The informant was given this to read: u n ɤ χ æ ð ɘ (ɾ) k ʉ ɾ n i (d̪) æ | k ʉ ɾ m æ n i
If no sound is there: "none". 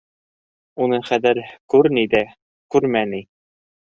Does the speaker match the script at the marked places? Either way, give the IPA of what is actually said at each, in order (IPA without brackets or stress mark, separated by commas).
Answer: ɾ, d̪